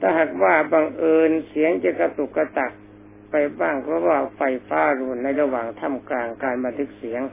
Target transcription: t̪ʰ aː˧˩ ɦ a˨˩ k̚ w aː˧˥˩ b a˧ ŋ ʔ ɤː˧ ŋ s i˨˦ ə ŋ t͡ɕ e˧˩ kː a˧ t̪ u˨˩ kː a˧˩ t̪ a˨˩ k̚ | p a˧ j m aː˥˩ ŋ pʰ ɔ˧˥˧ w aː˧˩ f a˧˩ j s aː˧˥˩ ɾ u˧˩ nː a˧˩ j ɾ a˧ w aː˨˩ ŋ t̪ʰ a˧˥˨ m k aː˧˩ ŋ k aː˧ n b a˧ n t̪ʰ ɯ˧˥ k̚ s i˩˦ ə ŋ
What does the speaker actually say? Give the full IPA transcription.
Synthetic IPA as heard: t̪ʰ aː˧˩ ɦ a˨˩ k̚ w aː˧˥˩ b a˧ ŋ ʔ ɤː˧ n s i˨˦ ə ŋ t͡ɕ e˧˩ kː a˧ t̪ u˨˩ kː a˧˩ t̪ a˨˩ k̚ | p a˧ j b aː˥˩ ŋ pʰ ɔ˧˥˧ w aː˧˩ f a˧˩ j f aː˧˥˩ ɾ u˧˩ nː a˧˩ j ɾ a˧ w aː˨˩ ŋ t̪ʰ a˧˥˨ m k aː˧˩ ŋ k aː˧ n b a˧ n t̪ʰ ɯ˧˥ k̚ s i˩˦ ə ŋ